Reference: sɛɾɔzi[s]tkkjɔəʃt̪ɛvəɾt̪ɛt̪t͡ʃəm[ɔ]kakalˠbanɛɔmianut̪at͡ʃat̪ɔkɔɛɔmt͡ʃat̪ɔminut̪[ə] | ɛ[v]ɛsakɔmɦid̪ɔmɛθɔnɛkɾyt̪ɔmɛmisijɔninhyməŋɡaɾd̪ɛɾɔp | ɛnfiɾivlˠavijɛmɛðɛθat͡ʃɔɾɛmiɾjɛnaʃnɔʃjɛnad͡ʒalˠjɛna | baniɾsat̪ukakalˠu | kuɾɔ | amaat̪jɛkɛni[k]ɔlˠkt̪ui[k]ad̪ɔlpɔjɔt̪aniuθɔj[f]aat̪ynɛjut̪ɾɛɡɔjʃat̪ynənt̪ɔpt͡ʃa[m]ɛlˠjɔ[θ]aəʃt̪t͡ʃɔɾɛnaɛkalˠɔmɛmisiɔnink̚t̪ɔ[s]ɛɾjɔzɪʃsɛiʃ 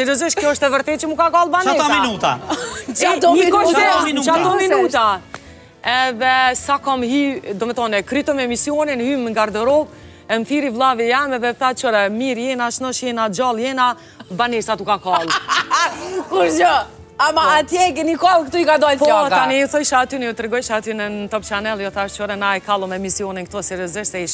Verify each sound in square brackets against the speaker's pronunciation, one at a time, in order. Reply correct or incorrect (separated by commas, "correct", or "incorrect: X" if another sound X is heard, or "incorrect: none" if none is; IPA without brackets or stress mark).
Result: incorrect: ʃ, incorrect: u, incorrect: a, incorrect: ð, correct, correct, incorrect: ʃ, incorrect: n, correct, correct